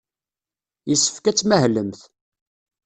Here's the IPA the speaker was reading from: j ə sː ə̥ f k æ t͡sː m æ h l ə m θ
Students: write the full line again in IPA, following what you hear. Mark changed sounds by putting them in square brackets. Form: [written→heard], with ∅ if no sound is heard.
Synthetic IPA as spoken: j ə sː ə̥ f k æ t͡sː m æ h l ə m θ